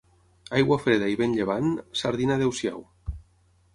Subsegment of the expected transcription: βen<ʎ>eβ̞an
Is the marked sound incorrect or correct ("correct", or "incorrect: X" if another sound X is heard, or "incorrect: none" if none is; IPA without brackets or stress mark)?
correct